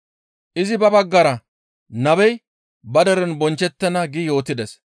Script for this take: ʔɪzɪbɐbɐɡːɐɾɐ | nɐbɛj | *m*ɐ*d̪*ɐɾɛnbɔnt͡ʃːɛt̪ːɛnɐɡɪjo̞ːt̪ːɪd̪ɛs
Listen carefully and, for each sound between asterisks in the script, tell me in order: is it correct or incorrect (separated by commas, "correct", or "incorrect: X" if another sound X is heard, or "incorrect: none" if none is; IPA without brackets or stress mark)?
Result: incorrect: b, correct